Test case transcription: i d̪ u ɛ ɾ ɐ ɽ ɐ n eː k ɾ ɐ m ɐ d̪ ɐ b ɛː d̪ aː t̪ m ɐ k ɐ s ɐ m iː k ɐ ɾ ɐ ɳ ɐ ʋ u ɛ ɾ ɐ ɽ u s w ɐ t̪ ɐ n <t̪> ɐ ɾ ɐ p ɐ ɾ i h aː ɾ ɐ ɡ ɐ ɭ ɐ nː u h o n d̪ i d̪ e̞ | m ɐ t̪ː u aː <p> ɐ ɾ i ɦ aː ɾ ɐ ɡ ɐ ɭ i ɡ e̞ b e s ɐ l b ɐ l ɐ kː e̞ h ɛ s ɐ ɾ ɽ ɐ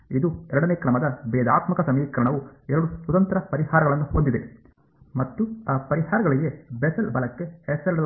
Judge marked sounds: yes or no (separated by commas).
yes, yes